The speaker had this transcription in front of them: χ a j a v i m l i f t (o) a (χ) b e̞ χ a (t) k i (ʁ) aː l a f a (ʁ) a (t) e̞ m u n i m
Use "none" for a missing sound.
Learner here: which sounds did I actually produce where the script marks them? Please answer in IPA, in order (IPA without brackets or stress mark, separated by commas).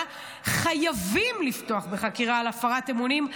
o, χ, none, ʁ, ʁ, t